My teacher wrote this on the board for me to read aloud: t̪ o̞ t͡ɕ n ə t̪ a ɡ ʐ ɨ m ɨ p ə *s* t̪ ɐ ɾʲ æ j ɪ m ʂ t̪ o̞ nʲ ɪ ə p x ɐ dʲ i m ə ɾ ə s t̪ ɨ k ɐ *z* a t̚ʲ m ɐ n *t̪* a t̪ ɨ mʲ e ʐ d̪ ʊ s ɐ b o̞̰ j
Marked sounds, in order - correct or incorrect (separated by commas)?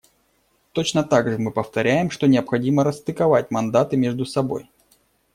incorrect, incorrect, incorrect